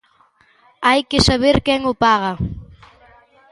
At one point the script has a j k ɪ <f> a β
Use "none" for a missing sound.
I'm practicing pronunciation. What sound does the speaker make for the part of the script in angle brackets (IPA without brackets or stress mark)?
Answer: s